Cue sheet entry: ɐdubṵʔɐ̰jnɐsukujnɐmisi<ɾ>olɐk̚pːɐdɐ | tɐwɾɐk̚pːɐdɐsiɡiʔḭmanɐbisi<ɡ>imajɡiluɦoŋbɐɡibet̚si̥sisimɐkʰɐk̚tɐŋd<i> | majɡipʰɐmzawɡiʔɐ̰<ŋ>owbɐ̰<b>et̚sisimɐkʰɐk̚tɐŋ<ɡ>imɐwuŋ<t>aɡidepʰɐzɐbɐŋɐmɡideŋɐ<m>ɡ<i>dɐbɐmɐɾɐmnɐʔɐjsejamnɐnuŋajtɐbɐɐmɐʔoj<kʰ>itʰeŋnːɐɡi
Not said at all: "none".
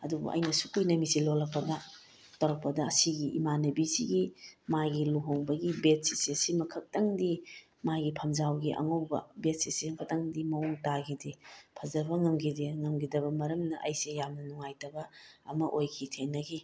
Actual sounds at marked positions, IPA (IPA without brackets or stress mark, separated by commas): l, ɡ, i, ŋ, b, d, t, m, i, kʰ